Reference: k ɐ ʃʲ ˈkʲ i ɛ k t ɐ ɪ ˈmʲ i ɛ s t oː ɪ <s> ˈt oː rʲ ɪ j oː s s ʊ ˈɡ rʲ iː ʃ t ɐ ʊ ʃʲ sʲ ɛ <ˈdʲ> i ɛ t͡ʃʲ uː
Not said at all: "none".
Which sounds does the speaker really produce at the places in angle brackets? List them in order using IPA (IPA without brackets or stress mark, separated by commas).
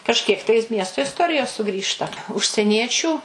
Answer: s, nʲ